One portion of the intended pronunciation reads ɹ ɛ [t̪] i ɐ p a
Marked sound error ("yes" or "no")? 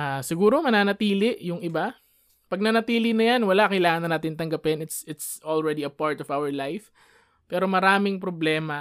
yes